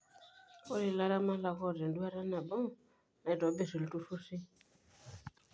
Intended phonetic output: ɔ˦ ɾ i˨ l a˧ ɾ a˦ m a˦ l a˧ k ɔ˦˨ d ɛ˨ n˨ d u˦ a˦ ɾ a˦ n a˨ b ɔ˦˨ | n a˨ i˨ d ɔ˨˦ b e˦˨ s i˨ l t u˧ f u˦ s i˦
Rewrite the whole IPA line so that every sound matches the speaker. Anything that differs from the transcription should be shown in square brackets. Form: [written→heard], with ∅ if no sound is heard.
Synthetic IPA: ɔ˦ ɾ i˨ l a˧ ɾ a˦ m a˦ l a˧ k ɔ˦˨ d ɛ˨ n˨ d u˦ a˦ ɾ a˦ n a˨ b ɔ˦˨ | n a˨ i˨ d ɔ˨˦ b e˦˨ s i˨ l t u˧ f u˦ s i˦